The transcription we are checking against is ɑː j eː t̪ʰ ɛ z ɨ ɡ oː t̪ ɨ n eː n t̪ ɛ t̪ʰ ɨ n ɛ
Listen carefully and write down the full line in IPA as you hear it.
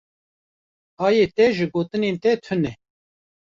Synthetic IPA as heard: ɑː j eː t̪ ɛ ʒ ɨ ɡ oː t̪ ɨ n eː n t̪ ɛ t̪ʰ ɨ n ɛ